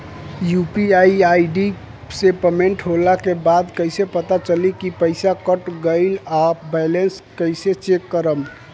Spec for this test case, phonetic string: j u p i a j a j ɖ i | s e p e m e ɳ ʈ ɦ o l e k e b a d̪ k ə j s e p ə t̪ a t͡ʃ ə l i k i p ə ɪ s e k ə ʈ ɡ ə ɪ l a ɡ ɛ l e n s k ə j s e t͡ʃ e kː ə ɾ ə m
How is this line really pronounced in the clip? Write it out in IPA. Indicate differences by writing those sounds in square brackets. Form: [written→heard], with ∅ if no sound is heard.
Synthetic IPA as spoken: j u p i a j a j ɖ i | s e p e m e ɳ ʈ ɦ o l [e→a] k e b a d̪ k ə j s e p ə t̪ a t͡ʃ ə l i k i p ə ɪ s [e→a] k ə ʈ ɡ ə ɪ l a [ɡ→b] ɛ l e n s k ə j s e t͡ʃ e kː ə ɾ ə m